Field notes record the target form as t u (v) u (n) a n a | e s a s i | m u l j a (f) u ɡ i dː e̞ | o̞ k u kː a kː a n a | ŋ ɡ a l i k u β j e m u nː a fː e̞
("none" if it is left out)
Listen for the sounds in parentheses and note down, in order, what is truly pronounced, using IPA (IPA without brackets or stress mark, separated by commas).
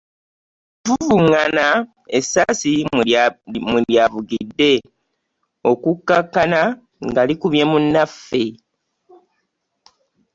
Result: v, ŋ, v